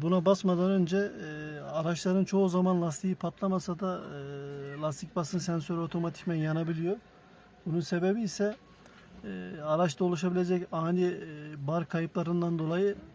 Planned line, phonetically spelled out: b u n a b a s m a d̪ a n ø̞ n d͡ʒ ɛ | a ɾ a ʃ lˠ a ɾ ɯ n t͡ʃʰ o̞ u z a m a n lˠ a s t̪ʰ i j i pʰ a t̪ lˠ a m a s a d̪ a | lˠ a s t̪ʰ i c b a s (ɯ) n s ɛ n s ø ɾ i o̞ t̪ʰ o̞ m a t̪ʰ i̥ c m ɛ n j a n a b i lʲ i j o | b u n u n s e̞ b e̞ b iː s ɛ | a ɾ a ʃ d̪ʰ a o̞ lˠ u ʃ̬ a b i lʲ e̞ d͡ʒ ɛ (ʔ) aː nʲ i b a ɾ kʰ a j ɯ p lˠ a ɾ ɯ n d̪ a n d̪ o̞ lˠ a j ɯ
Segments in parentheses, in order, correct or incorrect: correct, incorrect: c

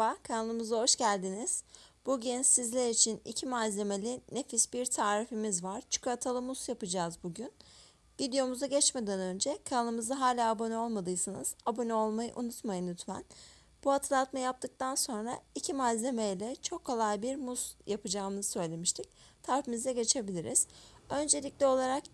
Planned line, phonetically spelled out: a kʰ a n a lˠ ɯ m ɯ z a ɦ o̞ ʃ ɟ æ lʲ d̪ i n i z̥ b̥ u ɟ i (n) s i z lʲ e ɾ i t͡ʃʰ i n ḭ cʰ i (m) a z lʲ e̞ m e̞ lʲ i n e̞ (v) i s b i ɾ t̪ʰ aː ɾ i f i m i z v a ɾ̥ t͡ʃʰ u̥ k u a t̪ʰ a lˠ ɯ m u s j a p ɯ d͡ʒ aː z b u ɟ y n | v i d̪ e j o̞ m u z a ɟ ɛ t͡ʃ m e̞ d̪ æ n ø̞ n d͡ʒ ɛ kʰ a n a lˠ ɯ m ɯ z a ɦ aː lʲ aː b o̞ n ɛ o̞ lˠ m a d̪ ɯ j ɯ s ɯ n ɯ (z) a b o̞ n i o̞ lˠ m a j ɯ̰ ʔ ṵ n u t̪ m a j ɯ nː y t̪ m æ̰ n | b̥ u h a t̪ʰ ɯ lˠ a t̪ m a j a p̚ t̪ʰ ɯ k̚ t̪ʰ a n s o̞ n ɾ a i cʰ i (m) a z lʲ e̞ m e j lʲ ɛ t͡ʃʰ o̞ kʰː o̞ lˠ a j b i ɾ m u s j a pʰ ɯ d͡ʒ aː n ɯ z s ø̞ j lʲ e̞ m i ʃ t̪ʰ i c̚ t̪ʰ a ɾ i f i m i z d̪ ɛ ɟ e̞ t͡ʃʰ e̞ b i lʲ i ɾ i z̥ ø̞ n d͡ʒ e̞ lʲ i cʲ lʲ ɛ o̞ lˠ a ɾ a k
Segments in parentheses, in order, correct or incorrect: correct, correct, incorrect: f, correct, correct

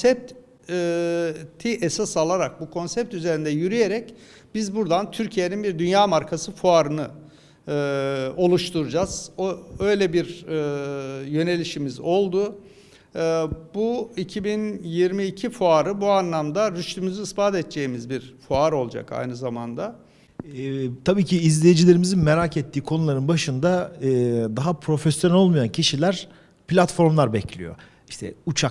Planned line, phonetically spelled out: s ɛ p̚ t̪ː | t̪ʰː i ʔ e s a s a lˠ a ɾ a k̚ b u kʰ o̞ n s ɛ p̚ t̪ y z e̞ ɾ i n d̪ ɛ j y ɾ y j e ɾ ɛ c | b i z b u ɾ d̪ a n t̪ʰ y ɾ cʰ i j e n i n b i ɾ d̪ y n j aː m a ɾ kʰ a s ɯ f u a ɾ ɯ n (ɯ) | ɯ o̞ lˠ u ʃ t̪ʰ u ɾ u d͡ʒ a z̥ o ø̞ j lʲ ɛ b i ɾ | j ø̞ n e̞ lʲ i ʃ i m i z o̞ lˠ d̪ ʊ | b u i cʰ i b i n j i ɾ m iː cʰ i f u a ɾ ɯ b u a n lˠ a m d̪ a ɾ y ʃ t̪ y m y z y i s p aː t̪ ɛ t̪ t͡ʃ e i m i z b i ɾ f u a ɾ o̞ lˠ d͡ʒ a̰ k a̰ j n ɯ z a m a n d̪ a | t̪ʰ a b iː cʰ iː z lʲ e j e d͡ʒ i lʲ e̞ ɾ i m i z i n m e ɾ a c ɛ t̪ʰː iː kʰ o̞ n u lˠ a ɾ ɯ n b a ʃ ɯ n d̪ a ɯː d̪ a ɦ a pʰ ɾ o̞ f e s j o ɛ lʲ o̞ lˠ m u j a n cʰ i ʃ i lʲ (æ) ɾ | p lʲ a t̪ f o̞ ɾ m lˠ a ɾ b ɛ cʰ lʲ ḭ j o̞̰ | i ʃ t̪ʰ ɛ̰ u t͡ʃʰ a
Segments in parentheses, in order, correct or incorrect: correct, correct

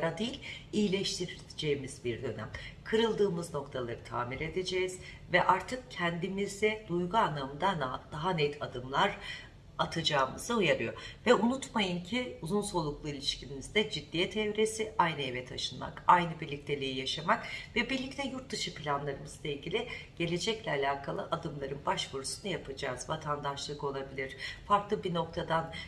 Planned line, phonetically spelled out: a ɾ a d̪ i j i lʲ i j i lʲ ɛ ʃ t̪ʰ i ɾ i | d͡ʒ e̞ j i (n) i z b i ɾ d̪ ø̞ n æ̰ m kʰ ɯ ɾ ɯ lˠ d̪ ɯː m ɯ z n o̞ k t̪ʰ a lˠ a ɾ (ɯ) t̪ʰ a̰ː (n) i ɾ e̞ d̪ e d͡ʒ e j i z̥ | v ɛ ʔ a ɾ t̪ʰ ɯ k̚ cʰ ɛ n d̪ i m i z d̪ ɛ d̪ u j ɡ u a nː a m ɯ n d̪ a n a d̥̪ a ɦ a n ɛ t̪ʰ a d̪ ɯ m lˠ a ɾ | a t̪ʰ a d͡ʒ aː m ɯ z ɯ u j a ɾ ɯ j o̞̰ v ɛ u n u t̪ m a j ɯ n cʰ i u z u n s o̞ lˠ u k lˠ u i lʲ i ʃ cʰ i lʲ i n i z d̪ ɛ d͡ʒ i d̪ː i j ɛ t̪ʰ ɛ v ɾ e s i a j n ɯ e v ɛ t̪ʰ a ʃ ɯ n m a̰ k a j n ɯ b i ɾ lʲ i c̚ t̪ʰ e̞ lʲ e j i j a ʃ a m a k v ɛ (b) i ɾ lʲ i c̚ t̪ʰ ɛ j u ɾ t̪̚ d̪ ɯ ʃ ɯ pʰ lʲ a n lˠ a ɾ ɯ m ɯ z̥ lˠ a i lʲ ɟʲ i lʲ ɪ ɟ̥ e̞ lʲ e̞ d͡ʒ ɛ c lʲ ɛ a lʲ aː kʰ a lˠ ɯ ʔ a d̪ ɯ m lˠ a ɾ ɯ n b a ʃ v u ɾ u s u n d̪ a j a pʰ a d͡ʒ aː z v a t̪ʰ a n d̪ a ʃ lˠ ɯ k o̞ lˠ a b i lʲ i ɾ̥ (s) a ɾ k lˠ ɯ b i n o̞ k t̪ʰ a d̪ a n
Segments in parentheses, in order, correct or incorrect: incorrect: m, correct, incorrect: m, correct, incorrect: f

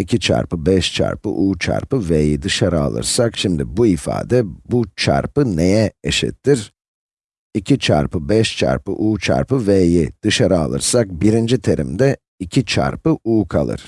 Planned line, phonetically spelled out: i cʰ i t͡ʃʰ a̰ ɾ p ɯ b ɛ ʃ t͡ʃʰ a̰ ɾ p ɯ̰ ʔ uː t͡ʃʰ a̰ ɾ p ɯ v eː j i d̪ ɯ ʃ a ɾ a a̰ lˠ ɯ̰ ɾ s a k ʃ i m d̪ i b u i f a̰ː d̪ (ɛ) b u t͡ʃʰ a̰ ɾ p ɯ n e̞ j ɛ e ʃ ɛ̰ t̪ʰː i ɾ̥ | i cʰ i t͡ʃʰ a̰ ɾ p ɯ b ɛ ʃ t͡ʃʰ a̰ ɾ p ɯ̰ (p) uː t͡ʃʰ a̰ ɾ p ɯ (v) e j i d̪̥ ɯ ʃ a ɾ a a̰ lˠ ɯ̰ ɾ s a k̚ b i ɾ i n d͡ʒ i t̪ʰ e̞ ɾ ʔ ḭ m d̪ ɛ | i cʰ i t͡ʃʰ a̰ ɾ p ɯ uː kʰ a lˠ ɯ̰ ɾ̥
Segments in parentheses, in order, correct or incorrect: correct, incorrect: ʔ, correct

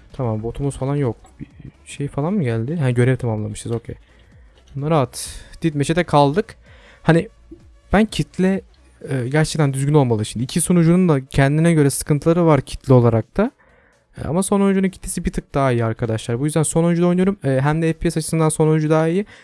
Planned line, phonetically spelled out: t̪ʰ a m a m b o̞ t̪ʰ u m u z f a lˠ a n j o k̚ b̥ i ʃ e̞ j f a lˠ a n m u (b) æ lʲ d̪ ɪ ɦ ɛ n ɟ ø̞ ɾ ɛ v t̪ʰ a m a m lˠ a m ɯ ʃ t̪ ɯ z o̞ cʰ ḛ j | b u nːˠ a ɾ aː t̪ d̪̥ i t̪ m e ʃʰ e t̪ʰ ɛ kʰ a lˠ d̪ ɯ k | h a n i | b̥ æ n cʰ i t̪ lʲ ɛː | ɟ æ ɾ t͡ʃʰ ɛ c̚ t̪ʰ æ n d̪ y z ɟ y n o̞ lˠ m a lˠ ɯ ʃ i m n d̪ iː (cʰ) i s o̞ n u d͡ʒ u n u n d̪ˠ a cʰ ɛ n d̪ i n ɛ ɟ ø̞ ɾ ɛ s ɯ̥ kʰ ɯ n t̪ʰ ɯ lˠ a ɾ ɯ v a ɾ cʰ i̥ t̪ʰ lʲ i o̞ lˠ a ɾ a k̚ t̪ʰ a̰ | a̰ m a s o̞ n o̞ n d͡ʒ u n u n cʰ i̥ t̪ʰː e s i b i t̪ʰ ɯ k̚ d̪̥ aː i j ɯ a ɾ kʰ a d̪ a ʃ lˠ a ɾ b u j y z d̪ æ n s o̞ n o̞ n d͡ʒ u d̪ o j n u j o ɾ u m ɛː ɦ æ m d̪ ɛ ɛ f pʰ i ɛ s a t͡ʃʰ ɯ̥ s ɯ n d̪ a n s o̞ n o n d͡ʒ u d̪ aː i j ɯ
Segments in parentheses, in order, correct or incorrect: incorrect: ɟ, correct

